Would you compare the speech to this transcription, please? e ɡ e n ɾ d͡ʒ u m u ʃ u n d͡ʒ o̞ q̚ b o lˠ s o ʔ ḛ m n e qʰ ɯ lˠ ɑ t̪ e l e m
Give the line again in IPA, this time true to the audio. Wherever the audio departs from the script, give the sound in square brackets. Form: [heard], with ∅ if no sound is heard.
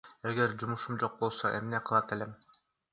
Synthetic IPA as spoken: e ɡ e [∅] ɾ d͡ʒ u m u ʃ u [m] d͡ʒ o̞ q̚ b o lˠ s o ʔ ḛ m n e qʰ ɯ lˠ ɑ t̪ e l e m